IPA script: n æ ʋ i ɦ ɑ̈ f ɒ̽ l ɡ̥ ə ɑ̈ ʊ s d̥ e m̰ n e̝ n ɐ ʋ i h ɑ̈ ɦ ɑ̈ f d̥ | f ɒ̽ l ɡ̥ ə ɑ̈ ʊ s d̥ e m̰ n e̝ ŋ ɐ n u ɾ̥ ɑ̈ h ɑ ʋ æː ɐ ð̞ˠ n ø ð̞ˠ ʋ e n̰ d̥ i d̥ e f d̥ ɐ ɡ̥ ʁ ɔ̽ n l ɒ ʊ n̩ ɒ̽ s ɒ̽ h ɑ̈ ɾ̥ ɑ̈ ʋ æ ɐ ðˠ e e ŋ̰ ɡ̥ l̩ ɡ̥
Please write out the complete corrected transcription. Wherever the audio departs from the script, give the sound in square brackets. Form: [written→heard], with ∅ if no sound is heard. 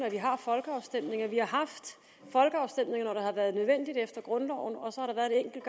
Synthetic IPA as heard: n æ ʋ i ɦ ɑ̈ f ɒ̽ l ɡ̥ ə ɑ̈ ʊ s d̥ e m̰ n e̝ [n→ŋ] ɐ ʋ i h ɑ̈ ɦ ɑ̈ f d̥ | f ɒ̽ l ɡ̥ ə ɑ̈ ʊ s d̥ e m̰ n e̝ ŋ ɐ n [u→ɒ] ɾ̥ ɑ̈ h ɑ ʋ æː ɐ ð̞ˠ n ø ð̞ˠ ʋ e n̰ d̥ i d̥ e f d̥ ɐ ɡ̥ ʁ ɔ̽ n l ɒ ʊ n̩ ɒ̽ s ɒ̽ h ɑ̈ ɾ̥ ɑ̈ ʋ æ ɐ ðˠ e e ŋ̰ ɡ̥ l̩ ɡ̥